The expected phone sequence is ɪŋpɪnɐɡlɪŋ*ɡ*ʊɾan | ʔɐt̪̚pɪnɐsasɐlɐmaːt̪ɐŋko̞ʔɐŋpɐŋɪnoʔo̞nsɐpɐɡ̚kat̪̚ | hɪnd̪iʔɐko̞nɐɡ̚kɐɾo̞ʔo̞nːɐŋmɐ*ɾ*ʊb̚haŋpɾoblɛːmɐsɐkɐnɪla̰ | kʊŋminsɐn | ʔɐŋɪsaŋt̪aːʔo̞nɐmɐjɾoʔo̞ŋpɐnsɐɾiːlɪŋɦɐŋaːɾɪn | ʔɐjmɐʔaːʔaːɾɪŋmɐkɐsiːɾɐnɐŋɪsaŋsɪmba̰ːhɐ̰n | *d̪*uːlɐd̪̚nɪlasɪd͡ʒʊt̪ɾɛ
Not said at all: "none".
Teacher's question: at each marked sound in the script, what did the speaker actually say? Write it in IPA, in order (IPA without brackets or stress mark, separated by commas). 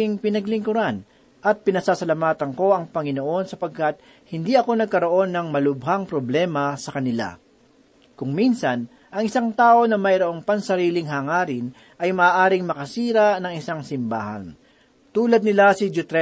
k, l, t̪